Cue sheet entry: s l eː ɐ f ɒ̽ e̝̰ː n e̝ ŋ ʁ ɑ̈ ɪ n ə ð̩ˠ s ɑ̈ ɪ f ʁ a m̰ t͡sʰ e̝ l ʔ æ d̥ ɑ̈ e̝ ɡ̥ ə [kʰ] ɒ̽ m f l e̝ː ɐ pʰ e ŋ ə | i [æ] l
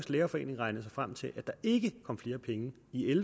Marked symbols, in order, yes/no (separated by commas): yes, no